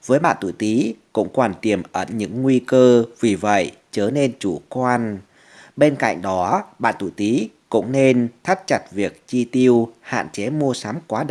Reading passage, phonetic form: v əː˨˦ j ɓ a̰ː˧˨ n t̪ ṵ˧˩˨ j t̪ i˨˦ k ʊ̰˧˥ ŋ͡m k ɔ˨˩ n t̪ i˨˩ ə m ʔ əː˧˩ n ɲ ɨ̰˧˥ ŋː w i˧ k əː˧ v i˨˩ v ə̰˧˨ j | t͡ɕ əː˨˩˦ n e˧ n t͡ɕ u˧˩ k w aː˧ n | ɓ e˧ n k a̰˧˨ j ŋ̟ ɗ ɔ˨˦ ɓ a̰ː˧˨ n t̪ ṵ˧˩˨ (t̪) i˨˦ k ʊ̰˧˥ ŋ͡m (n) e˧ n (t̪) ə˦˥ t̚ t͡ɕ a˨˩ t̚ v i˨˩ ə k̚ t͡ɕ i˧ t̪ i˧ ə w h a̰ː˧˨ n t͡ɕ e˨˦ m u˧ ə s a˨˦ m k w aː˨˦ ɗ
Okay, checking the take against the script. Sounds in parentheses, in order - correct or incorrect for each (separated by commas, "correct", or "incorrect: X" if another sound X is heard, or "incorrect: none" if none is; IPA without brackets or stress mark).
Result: correct, correct, incorrect: t̪ʰ